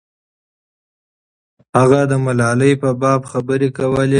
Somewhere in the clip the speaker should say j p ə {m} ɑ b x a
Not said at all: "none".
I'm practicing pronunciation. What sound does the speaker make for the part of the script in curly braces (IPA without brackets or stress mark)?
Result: b